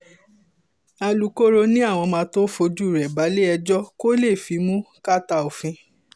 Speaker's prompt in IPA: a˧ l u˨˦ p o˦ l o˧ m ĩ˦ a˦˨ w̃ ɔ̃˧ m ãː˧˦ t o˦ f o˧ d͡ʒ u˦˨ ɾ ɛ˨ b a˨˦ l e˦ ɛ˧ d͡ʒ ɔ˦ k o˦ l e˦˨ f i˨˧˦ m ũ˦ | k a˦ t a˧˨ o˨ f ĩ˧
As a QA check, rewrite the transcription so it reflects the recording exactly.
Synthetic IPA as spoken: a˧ l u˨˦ k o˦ ɾ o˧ n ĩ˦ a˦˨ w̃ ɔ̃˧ m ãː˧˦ t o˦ f o˧ d͡ʒ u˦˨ ɾ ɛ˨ b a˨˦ l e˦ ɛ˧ d͡ʒ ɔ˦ k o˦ l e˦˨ f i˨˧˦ m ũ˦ | k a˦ t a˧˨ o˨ f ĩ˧

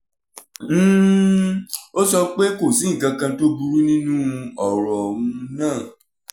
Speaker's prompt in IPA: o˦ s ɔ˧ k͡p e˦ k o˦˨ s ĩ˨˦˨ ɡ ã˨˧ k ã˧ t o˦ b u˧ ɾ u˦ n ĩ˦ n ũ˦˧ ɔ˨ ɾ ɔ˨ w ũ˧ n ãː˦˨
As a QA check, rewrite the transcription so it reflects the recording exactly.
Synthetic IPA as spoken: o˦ s ɔ˧ k͡p e˦ k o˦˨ s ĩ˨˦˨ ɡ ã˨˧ k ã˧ t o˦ b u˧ ɾ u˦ n ĩ˦ n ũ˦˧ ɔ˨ ɾ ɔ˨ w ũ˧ n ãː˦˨

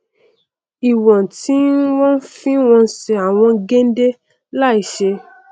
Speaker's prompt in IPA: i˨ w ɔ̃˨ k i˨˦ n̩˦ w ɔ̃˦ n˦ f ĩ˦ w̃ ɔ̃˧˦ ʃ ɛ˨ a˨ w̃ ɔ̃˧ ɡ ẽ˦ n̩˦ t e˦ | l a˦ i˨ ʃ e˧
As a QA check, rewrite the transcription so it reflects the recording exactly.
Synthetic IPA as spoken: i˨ w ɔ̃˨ t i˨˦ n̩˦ w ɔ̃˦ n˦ f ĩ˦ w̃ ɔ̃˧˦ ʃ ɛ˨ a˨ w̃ ɔ̃˧ ɡ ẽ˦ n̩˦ d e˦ | l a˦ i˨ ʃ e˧

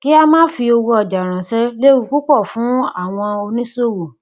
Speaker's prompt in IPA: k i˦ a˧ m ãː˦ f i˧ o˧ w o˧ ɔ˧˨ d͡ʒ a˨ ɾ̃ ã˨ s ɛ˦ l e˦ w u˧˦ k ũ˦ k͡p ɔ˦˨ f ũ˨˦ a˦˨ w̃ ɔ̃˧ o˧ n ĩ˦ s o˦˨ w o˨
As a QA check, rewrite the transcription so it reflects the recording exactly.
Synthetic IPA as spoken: k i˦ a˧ m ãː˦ f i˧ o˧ w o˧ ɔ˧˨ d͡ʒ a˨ ɾ̃ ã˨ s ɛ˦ l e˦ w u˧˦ k u˦ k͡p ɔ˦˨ f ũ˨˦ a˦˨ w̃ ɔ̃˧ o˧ n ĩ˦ s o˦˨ w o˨

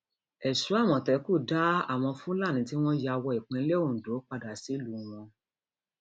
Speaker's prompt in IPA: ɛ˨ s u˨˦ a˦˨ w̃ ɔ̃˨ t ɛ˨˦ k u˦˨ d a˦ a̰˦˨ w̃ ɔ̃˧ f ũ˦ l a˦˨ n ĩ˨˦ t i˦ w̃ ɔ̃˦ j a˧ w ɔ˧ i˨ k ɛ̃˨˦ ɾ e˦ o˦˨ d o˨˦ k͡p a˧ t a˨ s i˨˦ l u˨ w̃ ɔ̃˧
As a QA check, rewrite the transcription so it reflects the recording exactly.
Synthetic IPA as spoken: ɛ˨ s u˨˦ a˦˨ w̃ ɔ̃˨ t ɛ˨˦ k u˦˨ d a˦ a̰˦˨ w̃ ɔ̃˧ f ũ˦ l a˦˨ n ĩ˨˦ t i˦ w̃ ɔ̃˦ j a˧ w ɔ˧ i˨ k͡p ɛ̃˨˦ l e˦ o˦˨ d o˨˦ k͡p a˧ d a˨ s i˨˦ l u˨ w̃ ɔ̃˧

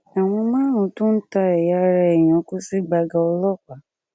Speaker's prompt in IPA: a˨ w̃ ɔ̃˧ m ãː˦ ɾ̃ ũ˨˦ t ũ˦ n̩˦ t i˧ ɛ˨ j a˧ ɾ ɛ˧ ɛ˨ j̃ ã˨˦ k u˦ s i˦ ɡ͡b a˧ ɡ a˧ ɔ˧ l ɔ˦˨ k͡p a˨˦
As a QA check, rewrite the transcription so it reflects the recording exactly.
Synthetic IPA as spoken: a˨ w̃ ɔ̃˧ m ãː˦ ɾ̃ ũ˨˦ t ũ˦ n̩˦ t a˧ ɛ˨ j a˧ ɾ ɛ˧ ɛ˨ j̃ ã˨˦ k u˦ s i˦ ɡ͡b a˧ ɡ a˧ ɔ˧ l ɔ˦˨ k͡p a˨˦

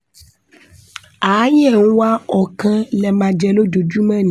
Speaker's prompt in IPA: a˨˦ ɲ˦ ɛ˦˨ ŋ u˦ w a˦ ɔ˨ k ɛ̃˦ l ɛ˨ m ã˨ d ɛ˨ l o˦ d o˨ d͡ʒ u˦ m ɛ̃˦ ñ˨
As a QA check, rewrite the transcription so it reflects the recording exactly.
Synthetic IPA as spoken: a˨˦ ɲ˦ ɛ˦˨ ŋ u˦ w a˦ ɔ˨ k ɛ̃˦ l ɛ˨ m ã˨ d͡ʒ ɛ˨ l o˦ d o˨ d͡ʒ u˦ m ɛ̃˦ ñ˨

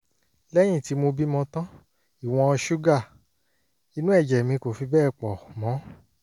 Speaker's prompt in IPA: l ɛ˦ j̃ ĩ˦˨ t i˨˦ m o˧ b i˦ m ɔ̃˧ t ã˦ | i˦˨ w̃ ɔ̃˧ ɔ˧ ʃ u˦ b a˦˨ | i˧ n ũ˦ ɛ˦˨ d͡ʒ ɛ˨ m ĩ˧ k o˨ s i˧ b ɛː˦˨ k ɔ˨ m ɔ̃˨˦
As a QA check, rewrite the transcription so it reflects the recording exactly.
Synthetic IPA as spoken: l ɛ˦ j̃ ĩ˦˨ t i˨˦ m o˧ b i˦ m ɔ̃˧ t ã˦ | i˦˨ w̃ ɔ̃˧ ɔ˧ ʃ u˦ ɡ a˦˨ | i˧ n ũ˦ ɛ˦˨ d͡ʒ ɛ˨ m ĩ˧ k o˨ f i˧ b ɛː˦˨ k͡p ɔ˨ m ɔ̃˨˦

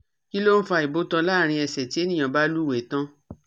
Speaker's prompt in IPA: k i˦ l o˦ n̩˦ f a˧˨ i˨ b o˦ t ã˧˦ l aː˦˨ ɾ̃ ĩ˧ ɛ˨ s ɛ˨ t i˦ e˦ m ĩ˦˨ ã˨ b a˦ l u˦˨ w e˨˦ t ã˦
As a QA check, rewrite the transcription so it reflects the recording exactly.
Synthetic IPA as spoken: k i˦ l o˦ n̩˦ f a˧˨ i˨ b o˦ t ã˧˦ l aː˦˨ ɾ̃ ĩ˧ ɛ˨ s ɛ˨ t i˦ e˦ n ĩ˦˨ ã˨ b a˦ l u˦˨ w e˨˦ t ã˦

